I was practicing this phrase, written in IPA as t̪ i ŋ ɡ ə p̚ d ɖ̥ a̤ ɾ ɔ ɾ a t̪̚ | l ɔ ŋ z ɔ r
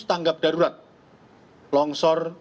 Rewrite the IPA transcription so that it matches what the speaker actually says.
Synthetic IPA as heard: t̪ a ŋ ɡ a p̚ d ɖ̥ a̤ ɾ u ɾ a t̪̚ | l ɔ ŋ s ɔ r